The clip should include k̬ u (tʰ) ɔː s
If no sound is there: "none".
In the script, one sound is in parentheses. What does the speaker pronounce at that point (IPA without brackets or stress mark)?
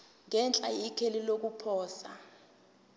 pʰ